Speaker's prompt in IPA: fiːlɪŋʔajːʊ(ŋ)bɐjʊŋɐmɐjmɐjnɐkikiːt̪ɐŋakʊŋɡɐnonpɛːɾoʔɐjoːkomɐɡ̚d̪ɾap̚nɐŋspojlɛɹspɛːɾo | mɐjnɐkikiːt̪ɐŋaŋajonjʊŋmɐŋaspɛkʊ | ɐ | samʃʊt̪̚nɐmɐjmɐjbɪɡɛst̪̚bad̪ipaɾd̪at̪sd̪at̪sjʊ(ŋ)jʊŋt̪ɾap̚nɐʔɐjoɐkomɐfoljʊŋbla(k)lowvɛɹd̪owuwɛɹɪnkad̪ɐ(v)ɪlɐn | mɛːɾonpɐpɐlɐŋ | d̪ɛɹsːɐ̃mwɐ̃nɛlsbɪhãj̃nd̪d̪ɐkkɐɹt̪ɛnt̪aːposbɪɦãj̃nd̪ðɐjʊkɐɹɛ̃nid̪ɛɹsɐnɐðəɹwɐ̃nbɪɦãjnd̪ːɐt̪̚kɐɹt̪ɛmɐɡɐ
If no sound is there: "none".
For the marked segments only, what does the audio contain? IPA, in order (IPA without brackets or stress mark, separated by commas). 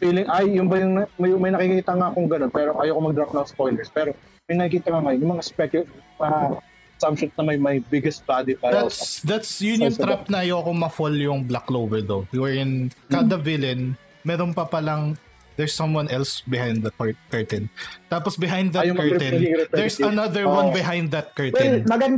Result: n, n, k, v